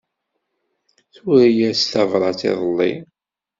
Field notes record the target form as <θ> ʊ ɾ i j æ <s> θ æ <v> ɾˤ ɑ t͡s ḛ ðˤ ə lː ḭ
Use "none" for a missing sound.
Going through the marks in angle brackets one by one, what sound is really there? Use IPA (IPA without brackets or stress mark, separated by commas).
θ, s, v